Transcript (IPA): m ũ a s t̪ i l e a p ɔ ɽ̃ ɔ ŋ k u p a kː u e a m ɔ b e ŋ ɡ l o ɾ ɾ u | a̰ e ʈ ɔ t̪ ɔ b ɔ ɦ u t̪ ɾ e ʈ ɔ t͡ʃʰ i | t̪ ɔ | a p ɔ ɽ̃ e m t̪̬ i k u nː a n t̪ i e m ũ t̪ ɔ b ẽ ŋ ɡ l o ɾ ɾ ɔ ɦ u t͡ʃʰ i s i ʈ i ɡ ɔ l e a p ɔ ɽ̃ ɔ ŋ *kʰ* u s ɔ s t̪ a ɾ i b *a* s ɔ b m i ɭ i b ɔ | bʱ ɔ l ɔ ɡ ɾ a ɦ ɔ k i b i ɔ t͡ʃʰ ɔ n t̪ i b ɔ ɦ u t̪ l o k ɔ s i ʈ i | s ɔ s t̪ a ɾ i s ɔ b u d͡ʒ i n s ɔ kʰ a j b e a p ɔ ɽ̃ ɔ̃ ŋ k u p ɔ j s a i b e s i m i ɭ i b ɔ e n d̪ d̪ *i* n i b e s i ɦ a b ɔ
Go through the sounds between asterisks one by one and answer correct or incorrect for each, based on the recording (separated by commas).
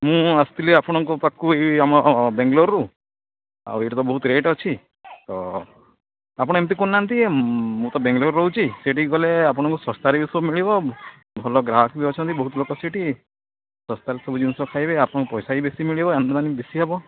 incorrect, incorrect, incorrect